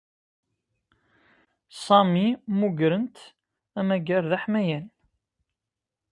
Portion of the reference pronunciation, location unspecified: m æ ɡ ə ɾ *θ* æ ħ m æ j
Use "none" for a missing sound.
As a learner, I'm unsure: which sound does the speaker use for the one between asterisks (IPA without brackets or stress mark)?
ð